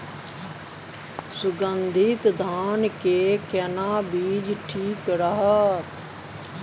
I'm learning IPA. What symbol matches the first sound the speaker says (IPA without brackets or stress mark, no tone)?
s